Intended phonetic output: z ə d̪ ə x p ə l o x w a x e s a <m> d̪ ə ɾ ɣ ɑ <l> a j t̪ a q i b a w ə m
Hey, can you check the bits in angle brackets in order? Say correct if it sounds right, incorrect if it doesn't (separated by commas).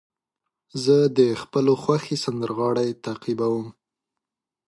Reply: incorrect, incorrect